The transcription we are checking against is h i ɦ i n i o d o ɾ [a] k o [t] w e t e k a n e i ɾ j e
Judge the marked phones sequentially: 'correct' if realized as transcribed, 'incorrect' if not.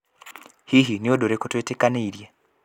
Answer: incorrect: e, correct

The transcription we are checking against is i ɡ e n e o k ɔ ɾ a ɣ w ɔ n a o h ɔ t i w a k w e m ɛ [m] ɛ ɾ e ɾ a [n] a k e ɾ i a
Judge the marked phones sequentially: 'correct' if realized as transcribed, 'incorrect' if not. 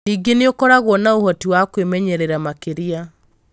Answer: incorrect: ɲ, incorrect: m

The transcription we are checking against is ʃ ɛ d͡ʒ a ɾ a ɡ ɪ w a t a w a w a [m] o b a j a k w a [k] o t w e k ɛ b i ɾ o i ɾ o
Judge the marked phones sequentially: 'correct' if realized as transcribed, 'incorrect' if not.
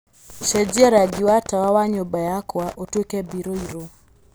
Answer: incorrect: ɲ, incorrect: ʔ

